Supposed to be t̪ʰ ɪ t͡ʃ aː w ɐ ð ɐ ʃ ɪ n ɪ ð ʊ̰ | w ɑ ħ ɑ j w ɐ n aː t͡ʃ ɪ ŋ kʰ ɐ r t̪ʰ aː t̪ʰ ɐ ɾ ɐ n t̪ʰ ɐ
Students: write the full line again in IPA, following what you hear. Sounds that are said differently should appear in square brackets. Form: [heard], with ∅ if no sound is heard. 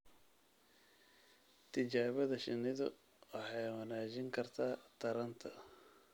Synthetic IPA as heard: t̪ʰ ɪ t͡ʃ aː [β] ɐ ð ɐ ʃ ɪ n ɪ ð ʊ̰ | w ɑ ħ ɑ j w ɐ n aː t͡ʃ ɪ ŋ kʰ ɐ r t̪ʰ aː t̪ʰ ɐ ɾ ɐ n t̪ʰ ɐ